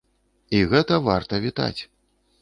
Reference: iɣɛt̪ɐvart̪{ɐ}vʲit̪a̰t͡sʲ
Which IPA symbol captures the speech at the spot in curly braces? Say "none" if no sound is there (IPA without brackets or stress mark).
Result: ɐ